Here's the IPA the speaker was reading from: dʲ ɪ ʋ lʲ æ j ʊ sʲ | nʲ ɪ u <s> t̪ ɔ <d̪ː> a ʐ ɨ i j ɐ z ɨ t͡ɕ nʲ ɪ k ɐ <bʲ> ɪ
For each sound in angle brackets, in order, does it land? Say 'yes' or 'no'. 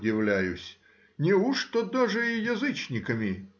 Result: no, no, no

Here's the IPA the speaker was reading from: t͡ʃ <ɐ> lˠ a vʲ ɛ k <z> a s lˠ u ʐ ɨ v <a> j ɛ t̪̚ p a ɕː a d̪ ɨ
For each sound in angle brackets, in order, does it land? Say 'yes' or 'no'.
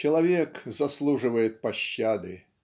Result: yes, yes, no

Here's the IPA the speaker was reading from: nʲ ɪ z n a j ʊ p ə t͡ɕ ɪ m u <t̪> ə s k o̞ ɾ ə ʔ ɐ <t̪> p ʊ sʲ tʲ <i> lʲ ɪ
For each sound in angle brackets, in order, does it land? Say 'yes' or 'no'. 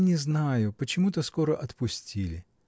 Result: yes, yes, yes

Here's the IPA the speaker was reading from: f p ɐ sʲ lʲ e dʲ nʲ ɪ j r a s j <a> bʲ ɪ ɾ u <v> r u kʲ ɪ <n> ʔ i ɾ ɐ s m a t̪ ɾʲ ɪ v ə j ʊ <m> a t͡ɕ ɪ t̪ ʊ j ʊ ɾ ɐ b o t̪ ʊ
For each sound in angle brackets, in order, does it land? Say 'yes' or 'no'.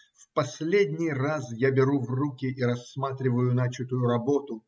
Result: yes, yes, no, no

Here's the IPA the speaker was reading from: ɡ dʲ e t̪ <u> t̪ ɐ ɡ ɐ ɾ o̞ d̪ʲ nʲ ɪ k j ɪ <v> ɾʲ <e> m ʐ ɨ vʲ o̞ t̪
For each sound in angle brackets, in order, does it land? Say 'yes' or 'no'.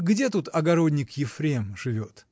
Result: yes, no, yes

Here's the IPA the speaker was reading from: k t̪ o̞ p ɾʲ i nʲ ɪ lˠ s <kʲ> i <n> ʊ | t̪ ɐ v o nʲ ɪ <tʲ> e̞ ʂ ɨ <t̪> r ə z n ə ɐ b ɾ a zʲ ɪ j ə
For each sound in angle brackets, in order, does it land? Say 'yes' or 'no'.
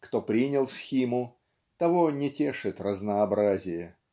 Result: no, no, yes, yes

